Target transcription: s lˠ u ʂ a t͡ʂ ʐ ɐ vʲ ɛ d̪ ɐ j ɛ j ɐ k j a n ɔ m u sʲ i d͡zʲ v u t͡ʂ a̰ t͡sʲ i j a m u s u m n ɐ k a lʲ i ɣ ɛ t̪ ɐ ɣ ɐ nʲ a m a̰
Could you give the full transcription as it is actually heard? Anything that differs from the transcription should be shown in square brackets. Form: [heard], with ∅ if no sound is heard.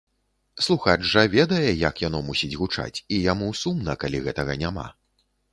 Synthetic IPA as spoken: s lˠ u [x] a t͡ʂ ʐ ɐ vʲ ɛ d̪ ɐ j ɛ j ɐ k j a n ɔ m u sʲ i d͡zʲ [ɣ] u t͡ʂ a̰ t͡sʲ i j a m u s u m n ɐ k a lʲ i ɣ ɛ t̪ ɐ ɣ ɐ nʲ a m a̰

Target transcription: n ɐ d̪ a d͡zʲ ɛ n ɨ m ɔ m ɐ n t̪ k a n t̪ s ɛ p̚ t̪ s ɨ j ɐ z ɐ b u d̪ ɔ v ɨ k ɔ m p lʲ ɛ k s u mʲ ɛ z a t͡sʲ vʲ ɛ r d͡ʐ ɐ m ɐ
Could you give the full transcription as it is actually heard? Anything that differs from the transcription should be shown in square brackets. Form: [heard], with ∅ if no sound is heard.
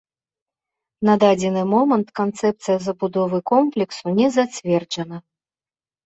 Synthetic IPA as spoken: n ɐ d̪ a d͡zʲ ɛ n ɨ m ɔ m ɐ n t̪ k a n t̪ s ɛ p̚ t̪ s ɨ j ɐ z ɐ b u d̪ ɔ v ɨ k ɔ m p lʲ ɛ k s u [nʲ] ɛ z a t͡sʲ vʲ ɛ r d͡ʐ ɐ [n] ɐ

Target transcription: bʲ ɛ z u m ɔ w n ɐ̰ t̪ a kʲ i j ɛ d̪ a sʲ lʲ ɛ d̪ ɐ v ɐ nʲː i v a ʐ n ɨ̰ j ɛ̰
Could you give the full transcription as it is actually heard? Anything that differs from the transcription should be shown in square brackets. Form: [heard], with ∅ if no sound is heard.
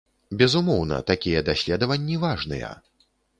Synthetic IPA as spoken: bʲ ɛ z u m ɔ w n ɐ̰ t̪ a kʲ i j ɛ d̪ a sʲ lʲ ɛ d̪ ɐ v ɐ nʲː i v a ʐ n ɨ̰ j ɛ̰

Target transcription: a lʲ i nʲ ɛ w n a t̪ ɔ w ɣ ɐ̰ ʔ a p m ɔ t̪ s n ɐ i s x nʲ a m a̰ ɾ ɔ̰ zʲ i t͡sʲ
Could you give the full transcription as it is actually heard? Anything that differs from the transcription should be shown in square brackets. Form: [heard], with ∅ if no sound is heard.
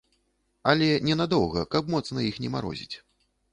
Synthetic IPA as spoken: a lʲ [ɛ] nʲ ɛ [∅] n a [d̪] ɔ w ɣ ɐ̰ [k] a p m ɔ t̪ s n ɐ i [∅] x nʲ [ɛ] m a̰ ɾ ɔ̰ zʲ i t͡sʲ

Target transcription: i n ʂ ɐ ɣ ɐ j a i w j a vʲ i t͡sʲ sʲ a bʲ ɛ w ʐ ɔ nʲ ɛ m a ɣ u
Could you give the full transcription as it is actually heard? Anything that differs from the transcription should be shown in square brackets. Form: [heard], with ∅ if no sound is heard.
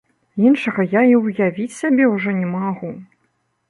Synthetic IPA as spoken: i n ʂ ɐ ɣ ɐ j a i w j a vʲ i t͡sʲ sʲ a bʲ ɛ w ʐ ɔ nʲ ɛ m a ɣ u

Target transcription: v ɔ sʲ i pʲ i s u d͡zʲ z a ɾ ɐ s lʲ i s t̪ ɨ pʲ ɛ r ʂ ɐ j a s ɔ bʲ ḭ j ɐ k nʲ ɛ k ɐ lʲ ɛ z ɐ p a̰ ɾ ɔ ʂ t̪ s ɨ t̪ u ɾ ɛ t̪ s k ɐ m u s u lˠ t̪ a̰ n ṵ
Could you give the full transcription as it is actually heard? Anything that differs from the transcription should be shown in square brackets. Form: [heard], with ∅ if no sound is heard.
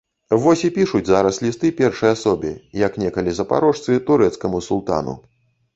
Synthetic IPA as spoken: v ɔ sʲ i pʲ i [ʂ] u d͡zʲ z a ɾ ɐ s lʲ i s t̪ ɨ pʲ ɛ r ʂ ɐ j a s ɔ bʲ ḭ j ɐ k nʲ ɛ k ɐ lʲ [i] z ɐ p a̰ ɾ ɔ ʂ t̪ s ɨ t̪ u ɾ ɛ t̪ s k ɐ m u s u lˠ t̪ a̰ n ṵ

